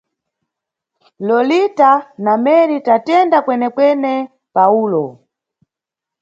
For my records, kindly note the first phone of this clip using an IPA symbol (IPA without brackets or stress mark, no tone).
l